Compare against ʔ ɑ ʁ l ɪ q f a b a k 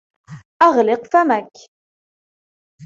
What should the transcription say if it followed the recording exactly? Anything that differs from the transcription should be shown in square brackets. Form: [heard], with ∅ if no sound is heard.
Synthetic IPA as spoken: ʔ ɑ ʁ l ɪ q f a [m] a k